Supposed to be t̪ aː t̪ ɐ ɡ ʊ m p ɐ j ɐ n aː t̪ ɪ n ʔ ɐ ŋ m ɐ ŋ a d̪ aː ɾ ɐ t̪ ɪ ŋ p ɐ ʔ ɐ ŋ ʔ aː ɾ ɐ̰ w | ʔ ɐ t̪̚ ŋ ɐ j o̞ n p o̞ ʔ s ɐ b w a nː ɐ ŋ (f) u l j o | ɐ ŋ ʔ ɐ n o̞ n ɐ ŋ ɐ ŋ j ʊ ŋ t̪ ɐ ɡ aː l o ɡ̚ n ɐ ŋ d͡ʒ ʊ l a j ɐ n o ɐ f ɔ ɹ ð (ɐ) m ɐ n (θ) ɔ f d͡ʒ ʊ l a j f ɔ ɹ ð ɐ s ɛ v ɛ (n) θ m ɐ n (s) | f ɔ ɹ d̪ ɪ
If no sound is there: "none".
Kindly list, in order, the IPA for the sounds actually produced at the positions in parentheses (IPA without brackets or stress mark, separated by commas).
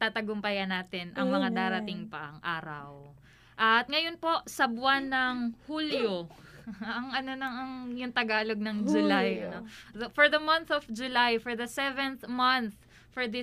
h, ɐ, θ, n, θ